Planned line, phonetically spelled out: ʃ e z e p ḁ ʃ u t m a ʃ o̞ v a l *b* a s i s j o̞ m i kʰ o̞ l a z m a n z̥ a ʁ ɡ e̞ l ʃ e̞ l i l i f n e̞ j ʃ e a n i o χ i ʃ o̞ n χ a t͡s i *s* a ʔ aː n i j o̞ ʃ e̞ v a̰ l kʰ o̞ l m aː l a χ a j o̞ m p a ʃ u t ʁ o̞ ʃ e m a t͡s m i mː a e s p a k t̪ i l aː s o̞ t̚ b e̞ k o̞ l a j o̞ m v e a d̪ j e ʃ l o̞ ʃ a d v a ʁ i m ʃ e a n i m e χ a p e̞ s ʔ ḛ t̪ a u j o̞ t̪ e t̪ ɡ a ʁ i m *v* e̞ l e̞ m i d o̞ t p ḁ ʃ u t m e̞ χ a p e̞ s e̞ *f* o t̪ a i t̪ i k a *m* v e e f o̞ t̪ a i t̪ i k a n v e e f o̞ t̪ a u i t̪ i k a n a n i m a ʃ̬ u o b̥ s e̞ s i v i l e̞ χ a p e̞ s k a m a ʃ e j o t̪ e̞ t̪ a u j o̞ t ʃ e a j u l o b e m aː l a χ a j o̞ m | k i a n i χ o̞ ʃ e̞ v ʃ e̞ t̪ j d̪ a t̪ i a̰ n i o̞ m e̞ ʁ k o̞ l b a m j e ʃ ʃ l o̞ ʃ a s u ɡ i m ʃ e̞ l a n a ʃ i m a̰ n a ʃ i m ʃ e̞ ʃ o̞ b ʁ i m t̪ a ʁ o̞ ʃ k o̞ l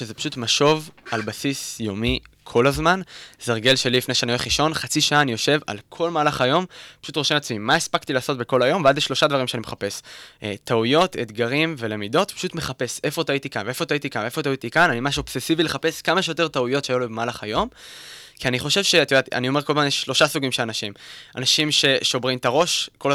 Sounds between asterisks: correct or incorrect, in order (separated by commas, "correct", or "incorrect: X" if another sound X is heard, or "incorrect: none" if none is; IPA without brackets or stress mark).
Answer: correct, incorrect: ʃ, correct, correct, incorrect: n